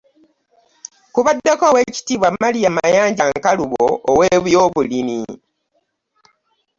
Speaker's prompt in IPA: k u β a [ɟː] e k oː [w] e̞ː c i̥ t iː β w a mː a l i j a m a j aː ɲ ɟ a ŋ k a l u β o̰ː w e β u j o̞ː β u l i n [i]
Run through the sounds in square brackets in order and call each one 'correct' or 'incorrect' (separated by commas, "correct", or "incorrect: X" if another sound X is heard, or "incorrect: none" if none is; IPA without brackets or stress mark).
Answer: incorrect: dː, correct, correct